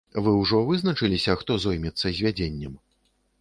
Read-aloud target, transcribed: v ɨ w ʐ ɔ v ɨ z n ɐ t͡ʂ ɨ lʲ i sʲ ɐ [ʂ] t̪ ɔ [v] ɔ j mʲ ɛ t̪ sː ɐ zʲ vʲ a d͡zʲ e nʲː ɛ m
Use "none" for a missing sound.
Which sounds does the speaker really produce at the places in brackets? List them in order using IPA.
x, z

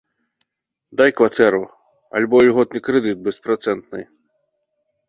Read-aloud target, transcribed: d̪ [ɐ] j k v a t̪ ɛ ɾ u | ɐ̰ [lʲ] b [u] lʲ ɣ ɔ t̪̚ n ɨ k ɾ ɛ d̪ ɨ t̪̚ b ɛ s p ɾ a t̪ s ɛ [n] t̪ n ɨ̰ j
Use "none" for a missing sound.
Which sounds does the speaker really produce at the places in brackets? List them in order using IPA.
a, lʲ, ɔ, n

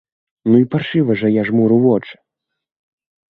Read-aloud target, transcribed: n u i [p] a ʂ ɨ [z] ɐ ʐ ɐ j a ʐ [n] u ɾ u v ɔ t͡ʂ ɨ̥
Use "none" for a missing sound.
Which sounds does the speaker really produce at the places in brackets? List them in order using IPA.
p, v, m

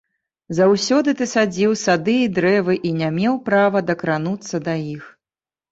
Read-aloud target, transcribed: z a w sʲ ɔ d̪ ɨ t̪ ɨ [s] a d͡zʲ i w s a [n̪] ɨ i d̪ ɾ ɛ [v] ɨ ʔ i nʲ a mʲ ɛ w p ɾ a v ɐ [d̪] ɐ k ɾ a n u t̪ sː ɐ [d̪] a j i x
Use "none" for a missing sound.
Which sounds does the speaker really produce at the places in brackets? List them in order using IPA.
s, d̪, v, d̪, d̪

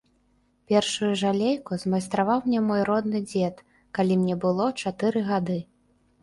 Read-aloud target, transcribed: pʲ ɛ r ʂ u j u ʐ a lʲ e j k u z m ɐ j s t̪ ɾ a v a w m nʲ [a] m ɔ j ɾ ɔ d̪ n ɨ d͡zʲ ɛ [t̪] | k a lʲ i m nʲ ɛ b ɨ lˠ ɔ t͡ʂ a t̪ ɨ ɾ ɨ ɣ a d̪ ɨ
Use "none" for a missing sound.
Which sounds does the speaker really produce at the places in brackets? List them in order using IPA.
ɛ, t̪

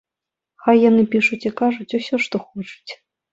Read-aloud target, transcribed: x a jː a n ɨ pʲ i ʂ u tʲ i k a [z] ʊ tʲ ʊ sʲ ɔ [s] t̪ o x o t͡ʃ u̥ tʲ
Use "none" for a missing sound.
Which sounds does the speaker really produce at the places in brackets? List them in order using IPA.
ʐ, ʂ

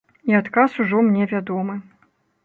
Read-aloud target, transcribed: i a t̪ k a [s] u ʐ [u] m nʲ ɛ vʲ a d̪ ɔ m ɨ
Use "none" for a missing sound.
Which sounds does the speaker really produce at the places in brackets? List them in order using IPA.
s, ɔ

